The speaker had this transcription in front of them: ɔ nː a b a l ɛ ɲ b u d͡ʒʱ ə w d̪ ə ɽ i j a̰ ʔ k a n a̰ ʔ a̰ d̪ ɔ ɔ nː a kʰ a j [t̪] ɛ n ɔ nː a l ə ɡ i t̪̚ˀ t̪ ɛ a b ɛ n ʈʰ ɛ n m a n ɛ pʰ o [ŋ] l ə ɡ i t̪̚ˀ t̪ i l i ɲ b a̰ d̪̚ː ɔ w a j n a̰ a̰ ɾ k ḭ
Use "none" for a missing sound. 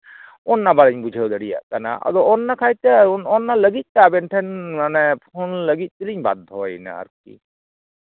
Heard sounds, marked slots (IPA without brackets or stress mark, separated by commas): t̪, n